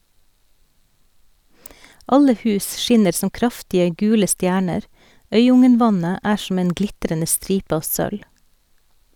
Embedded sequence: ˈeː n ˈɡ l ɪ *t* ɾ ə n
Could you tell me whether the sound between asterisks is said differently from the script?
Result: no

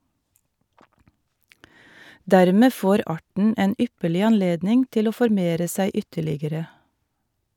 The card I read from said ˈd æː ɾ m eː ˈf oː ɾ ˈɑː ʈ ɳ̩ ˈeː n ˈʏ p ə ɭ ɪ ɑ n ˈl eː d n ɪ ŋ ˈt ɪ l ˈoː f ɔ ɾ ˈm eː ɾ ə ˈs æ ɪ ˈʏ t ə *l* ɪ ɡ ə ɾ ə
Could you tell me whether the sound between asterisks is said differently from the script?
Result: yes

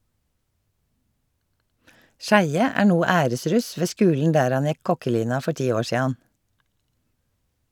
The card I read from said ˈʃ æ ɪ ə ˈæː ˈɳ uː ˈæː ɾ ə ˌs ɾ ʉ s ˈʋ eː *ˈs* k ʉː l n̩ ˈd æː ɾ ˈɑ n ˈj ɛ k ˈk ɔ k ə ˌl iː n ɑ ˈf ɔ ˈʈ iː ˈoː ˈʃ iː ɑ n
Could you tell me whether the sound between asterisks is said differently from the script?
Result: no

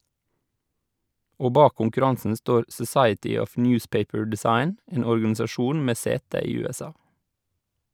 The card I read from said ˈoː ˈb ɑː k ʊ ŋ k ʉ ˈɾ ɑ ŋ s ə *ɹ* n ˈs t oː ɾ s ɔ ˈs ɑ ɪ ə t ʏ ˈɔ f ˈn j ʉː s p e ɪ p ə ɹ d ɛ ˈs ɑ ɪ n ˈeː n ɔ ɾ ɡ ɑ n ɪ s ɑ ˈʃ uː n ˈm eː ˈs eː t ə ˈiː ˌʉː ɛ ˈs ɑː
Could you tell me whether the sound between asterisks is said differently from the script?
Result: yes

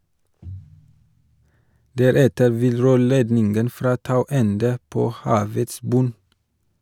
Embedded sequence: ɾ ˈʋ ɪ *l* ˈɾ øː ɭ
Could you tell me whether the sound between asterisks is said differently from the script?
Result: no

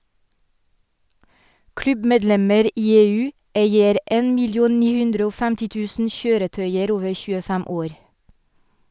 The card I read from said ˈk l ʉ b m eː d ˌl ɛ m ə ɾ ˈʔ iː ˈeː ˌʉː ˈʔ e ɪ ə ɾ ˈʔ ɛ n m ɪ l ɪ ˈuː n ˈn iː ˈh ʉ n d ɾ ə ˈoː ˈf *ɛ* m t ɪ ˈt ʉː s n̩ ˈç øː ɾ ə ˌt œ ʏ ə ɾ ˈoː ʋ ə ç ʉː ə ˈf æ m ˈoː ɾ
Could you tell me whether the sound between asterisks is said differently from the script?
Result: yes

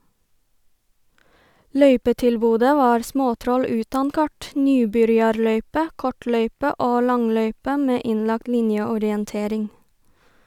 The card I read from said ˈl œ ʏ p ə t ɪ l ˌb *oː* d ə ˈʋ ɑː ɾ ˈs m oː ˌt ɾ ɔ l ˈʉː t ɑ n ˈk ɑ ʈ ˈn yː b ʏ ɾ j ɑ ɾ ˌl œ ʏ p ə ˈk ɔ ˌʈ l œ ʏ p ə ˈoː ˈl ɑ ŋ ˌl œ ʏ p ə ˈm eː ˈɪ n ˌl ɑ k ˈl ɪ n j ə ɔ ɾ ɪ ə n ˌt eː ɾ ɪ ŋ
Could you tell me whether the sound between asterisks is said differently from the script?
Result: yes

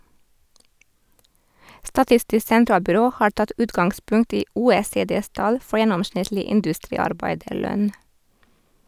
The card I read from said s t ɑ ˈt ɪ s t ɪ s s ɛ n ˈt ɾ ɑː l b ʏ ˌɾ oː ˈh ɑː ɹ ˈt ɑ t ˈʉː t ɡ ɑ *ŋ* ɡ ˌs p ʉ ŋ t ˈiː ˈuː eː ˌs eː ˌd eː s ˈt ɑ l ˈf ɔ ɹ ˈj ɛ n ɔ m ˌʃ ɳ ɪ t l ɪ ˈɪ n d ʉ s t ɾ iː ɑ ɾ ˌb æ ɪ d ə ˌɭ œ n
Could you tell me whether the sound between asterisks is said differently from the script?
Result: no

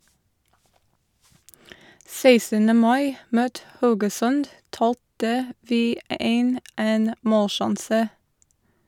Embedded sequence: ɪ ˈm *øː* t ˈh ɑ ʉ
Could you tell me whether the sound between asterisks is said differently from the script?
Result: no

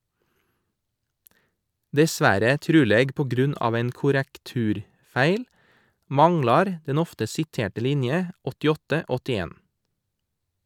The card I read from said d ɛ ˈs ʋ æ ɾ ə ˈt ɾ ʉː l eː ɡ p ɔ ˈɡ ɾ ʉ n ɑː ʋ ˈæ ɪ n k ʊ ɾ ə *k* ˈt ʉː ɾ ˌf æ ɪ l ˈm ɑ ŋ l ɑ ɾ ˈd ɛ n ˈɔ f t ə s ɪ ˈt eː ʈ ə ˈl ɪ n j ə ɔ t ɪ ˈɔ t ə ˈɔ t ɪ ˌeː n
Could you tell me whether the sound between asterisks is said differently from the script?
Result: no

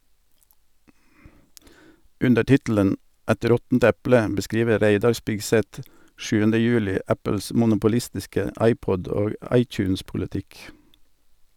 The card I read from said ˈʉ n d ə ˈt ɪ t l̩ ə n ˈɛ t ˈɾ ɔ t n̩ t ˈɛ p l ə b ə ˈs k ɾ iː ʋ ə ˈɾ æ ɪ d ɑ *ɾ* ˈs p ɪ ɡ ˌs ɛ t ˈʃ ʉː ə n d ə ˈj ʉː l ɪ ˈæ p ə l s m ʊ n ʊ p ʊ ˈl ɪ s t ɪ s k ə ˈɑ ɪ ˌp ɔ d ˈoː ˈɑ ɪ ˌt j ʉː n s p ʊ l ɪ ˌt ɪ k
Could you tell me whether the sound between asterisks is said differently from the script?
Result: no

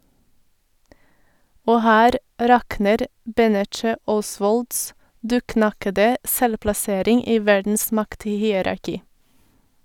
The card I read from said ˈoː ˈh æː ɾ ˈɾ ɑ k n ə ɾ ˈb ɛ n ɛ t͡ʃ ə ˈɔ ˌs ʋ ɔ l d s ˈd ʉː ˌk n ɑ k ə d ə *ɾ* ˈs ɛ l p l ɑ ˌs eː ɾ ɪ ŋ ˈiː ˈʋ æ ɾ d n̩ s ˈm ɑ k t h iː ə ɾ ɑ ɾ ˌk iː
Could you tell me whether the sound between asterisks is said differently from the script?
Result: yes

